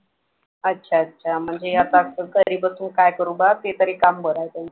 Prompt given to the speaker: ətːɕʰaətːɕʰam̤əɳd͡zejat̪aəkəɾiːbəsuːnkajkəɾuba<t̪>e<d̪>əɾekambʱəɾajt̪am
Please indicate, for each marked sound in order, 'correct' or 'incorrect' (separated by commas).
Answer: correct, incorrect